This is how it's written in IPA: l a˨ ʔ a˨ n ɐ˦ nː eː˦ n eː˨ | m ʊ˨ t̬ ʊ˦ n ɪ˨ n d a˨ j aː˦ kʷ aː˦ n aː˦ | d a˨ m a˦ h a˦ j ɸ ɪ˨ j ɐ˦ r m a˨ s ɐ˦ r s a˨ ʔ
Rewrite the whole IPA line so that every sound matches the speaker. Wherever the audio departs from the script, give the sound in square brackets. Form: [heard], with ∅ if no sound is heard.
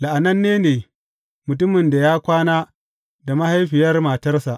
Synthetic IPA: l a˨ ʔ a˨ n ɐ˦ nː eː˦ n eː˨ | m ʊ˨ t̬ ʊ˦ [m] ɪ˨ n d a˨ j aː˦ kʷ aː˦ n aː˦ | d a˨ m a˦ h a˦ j ɸ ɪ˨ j ɐ˦ r m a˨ [t] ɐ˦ r s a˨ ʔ